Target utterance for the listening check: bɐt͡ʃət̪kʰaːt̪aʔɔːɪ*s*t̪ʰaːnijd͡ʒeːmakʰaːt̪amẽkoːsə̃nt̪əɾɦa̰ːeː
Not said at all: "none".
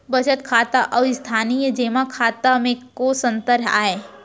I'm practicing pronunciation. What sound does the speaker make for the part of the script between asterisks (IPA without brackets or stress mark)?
s